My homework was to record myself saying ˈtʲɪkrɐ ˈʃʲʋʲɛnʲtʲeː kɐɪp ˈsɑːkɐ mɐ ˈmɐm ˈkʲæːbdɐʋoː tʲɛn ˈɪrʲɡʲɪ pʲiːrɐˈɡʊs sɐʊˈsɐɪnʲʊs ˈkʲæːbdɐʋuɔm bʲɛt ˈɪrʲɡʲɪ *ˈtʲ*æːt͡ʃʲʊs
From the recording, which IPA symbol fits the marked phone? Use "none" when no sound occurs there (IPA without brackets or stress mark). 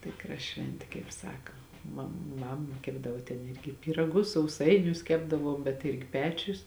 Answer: pʲ